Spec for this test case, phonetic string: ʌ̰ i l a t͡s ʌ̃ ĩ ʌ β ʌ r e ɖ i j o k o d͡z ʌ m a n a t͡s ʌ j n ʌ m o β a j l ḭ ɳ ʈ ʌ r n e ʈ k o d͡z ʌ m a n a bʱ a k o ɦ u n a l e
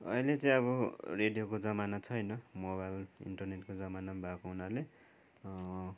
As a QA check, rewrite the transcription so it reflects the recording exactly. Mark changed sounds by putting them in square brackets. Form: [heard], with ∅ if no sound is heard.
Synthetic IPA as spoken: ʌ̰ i l [e] t͡s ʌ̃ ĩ ʌ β ʌ r e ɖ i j o k o d͡z ʌ m a n a [t͡sʰ] ʌ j n ʌ m o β a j l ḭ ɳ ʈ ʌ r n e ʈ k o d͡z ʌ m a n a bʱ a k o ɦ u n a l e